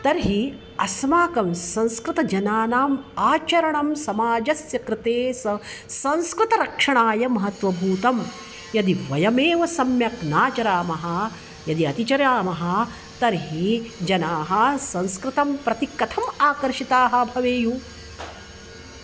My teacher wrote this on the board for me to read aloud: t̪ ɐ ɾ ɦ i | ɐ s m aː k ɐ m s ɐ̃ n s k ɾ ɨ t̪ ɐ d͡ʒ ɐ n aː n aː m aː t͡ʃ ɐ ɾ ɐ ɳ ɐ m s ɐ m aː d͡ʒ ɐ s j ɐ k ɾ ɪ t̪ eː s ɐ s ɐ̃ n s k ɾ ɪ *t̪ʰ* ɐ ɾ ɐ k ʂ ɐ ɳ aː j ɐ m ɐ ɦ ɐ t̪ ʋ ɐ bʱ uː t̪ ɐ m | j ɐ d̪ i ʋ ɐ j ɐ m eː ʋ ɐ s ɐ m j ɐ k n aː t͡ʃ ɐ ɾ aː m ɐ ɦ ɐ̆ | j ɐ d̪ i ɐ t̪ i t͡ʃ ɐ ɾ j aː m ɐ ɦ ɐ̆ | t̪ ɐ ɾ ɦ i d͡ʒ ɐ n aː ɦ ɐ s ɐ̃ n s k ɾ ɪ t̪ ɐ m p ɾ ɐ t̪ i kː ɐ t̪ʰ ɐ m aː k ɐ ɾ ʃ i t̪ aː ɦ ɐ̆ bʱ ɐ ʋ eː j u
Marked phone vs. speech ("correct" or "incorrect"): incorrect